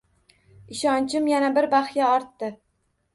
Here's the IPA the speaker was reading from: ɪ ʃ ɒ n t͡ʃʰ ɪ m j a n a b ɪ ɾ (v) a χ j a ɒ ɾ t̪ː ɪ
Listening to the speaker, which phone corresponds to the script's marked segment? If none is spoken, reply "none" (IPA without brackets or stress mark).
b